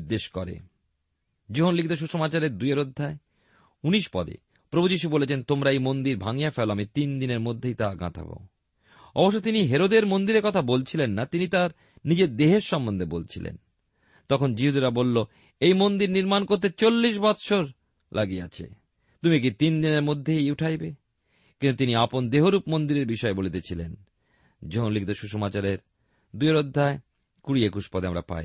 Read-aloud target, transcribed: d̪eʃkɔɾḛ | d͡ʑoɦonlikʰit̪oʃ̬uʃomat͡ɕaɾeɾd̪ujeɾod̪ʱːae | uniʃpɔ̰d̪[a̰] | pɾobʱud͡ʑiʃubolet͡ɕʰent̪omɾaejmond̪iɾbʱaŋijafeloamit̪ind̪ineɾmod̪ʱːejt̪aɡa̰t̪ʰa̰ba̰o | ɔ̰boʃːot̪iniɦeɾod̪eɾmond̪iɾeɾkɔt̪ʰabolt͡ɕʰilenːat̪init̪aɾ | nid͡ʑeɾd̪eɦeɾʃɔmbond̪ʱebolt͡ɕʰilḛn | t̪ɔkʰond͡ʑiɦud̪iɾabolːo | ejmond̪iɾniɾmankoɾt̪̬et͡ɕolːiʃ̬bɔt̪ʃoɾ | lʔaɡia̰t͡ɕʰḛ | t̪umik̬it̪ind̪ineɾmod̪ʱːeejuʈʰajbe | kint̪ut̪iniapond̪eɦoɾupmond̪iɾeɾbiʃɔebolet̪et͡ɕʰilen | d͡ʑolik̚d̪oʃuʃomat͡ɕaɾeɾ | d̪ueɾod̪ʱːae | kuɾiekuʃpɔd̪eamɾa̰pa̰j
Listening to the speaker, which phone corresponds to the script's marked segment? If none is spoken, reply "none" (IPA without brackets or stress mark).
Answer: ḛ